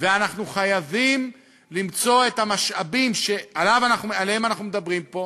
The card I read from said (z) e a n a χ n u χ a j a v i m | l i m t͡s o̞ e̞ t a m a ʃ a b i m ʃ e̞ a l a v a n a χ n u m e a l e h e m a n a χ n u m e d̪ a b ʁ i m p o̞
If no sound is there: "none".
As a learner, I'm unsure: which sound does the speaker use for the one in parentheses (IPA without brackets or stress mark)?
v